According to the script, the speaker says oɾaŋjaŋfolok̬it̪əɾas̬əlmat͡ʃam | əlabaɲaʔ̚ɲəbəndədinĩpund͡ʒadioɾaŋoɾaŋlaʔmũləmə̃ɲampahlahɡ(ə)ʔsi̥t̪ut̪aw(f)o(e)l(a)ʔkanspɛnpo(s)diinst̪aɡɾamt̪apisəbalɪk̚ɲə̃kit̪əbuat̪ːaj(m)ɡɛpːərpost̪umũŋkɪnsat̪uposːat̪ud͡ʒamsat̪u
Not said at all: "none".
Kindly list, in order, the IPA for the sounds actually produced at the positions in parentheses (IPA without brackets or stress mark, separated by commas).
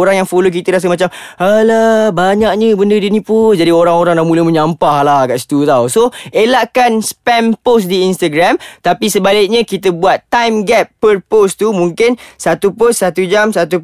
a, s, e, a, s, m